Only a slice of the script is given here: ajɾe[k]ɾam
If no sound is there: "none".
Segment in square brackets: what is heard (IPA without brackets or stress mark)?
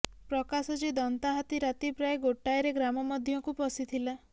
ɡ